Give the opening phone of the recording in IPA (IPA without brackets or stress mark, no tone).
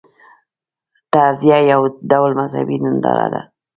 t̪